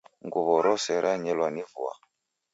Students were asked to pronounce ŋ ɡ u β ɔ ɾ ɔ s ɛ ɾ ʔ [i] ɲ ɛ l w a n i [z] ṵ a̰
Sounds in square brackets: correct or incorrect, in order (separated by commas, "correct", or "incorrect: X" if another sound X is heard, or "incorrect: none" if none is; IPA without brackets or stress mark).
incorrect: a, incorrect: v